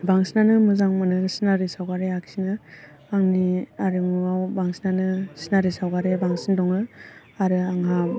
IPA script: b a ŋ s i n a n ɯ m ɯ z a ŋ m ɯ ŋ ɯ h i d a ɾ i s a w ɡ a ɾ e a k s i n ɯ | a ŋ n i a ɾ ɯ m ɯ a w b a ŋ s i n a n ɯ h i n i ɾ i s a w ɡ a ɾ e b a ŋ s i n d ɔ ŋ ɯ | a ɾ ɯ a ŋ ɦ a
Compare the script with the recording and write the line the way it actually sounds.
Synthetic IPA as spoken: b a ŋ s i n a n ɯ m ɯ z a ŋ m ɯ n ɯ s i n a ɾ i s a w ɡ a ɾ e a k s i n ɯ | a ŋ n i a ɾ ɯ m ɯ a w b a ŋ s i n a n ɯ s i n a ɾ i s a w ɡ a ɾ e b a ŋ s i n d ɔ ŋ ɯ | a ɾ ɯ a ŋ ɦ a